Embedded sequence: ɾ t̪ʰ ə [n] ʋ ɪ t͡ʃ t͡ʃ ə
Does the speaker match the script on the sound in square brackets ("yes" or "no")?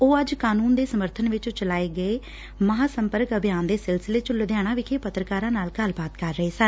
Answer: yes